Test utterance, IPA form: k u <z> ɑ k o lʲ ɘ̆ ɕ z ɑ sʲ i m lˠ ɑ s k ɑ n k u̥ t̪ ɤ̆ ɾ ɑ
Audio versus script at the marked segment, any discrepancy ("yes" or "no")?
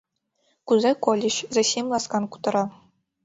no